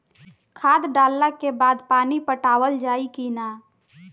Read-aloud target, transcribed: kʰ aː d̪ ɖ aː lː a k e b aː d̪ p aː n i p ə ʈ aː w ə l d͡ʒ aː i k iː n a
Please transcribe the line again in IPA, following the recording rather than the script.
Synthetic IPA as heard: kʰ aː d̪ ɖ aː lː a k e b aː d̪ p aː n i p ə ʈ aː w ə l d͡ʒ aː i k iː n a